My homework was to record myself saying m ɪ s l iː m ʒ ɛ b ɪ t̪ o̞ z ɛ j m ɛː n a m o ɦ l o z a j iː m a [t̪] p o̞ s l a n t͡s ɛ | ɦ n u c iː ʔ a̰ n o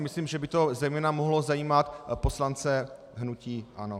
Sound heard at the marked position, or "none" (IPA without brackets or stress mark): t̪